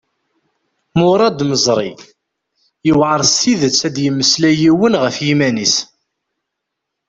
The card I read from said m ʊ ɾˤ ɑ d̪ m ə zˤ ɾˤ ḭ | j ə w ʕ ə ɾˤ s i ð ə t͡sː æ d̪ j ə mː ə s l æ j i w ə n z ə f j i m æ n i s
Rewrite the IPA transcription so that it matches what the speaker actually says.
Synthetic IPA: m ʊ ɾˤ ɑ d̪ m ə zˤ ɾˤ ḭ | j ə w ʕ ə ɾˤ s i ð ə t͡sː æ d̪ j ə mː ə s l æ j i w ə n ʁ ə f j i m æ n i s